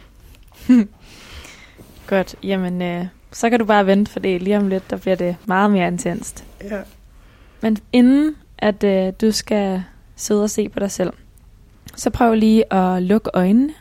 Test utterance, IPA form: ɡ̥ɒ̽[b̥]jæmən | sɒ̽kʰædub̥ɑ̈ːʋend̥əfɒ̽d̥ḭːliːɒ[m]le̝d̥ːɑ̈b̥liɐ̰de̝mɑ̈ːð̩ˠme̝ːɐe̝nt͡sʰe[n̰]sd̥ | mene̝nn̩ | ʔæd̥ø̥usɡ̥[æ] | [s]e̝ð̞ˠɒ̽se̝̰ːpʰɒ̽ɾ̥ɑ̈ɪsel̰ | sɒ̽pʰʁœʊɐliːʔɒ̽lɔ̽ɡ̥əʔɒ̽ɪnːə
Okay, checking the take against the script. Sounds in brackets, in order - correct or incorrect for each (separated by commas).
incorrect, correct, correct, correct, correct